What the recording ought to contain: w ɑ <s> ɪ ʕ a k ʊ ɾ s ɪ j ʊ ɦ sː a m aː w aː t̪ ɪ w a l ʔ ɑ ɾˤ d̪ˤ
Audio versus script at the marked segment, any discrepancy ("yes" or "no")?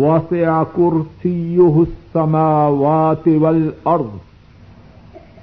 no